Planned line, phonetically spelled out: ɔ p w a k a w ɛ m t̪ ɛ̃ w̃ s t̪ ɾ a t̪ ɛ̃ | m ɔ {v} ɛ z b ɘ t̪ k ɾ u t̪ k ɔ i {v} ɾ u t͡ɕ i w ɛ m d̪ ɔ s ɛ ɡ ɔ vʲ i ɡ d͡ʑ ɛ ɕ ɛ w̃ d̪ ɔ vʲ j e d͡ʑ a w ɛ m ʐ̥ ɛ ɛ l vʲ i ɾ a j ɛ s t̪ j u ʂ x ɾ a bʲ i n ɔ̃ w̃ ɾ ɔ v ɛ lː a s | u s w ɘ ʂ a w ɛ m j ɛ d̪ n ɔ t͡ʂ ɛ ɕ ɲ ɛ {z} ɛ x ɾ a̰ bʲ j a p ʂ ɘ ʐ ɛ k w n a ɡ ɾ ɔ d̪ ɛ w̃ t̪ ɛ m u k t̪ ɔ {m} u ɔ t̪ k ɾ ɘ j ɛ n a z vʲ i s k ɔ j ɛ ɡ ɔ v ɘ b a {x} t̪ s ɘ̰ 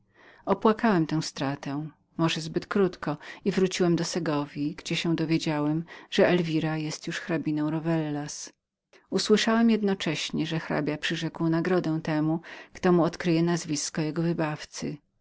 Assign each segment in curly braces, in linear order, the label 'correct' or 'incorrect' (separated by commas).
incorrect, correct, incorrect, correct, incorrect